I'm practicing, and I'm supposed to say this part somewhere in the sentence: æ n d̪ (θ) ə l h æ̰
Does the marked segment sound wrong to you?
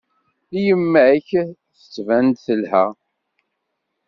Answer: no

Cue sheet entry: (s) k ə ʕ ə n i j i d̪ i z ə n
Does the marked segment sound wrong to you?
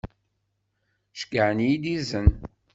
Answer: yes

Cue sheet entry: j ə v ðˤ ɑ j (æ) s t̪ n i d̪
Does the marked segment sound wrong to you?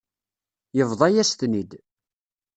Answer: no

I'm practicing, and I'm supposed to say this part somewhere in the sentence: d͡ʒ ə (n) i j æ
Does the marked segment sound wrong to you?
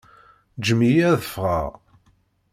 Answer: yes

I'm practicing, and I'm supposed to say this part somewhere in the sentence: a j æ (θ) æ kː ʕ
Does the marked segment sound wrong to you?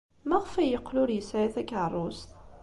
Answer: no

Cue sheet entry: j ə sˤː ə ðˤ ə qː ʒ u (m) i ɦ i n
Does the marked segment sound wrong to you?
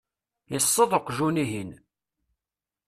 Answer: yes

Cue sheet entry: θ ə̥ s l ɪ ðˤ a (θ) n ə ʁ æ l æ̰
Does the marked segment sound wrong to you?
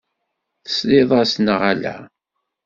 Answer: yes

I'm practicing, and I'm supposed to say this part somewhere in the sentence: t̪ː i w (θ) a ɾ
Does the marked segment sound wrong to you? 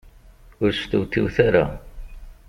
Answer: no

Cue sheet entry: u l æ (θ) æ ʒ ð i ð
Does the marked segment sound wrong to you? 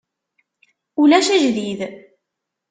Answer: yes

